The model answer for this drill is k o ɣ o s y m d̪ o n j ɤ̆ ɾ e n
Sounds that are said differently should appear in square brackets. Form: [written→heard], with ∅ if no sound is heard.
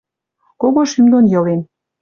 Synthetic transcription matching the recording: k o ɣ o [s→ʃ] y m d̪ o n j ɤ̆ [ɾ→l] e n